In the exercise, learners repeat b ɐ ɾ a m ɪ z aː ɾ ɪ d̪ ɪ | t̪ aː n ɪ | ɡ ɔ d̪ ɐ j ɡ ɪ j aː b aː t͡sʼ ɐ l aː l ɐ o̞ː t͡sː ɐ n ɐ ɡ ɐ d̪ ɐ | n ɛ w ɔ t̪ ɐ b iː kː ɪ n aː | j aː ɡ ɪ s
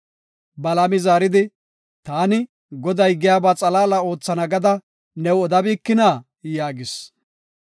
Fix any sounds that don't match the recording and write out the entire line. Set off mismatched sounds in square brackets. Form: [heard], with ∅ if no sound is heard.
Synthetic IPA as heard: b ɐ [l] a m ɪ z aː ɾ ɪ d̪ ɪ | t̪ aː n ɪ | ɡ ɔ d̪ ɐ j ɡ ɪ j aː b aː t͡sʼ ɐ l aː l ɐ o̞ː t͡sː ɐ n ɐ ɡ ɐ d̪ ɐ | n ɛ w ɔ [d̪] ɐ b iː kː ɪ n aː | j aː ɡ ɪ s